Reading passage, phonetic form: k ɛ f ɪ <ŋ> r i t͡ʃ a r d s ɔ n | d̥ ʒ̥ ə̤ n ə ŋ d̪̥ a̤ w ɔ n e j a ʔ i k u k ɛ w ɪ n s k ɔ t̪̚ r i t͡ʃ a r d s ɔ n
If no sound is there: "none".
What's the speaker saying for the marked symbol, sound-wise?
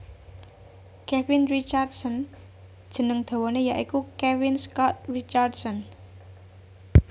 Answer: n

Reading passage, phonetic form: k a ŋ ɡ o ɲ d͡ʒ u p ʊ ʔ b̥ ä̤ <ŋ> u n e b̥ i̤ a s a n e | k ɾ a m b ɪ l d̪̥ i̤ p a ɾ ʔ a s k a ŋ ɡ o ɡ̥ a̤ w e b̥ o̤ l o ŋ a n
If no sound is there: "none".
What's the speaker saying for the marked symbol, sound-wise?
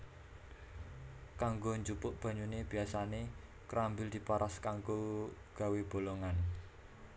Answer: ɲ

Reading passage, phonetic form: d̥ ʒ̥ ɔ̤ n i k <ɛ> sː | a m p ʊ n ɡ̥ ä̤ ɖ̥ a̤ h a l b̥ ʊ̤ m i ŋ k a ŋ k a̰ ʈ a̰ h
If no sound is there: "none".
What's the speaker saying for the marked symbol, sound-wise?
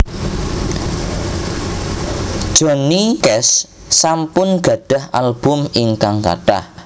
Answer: ɛ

